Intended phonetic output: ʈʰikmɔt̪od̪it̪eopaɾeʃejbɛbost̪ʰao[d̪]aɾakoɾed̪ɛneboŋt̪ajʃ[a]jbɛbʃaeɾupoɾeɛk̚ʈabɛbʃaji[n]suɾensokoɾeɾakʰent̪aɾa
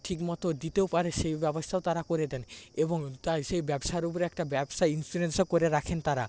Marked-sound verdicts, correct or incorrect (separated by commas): incorrect, incorrect, correct